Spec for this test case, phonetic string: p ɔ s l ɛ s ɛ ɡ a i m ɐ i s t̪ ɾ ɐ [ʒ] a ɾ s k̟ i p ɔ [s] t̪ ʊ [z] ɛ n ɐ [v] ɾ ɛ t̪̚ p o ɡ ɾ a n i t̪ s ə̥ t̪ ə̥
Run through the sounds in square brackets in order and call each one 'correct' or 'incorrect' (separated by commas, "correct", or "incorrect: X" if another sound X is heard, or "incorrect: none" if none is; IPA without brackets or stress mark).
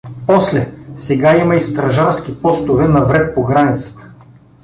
correct, correct, incorrect: v, correct